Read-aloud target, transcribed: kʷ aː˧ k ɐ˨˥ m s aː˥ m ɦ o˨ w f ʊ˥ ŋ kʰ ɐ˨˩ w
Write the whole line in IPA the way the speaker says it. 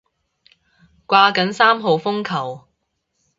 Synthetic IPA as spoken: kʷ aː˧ k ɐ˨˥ n s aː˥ m ɦ o˨ w f ʊ˥ ŋ kʰ ɐ˨˩ w